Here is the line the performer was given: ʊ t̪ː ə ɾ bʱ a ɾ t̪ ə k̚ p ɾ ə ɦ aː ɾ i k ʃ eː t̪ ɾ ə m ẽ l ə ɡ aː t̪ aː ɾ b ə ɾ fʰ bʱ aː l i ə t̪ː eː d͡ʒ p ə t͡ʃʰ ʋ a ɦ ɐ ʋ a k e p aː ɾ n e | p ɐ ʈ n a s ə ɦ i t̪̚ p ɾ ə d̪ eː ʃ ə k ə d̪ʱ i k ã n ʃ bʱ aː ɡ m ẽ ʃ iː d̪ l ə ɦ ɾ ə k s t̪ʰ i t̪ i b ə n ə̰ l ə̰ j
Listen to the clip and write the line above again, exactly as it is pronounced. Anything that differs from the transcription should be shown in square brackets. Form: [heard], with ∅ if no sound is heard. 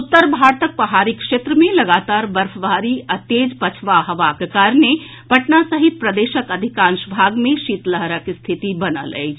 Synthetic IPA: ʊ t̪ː ə ɾ bʱ a ɾ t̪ ə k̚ p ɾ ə ɦ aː ɾ i k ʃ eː t̪ ɾ ə m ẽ l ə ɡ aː t̪ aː ɾ b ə ɾ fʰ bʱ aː [ɾ] i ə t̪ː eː d͡ʒ p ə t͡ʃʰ ʋ a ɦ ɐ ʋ a k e [k] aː ɾ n e | p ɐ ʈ n a s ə ɦ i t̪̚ p ɾ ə d̪ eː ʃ ə k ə d̪ʱ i k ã n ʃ bʱ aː ɡ m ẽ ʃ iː [t̪] l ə ɦ ɾ ə k s t̪ʰ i t̪ i b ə n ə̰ l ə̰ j